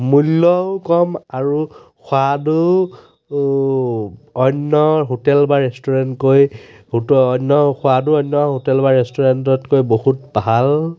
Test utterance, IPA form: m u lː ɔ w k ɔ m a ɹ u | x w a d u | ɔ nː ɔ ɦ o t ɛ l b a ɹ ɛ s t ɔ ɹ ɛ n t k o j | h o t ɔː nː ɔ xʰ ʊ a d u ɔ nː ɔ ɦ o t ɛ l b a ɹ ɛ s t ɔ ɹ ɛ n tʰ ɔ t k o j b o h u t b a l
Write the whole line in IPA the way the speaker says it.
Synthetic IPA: m u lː ɔ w k ɔ m a ɹ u | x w a d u | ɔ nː ɔ ɦ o t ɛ l b a ɹ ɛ s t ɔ ɹ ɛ n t k o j | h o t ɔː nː ɔ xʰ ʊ a d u ɔ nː ɔ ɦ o t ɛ l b a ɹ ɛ s t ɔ ɹ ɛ n t ɔ t k o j b o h u t b a l